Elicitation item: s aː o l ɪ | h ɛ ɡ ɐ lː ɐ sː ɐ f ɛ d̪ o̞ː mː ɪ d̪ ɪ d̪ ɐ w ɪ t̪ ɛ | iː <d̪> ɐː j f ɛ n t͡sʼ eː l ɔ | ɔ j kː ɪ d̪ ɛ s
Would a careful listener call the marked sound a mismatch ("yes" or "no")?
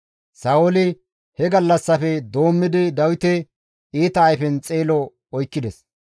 yes